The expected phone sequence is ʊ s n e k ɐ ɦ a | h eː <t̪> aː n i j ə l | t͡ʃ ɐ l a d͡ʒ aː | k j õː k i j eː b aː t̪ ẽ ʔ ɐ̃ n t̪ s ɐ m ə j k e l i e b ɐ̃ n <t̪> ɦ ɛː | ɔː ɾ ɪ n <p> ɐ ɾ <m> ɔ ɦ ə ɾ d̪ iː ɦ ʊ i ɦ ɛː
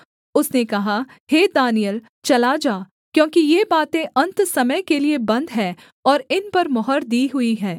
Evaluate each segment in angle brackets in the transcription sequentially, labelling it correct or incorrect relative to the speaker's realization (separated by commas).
incorrect, incorrect, correct, correct